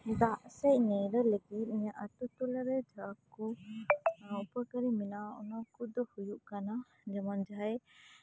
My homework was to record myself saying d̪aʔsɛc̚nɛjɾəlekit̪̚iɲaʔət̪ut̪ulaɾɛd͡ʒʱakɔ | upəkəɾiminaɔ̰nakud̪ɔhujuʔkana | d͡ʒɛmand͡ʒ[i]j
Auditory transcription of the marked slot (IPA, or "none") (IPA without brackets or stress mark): a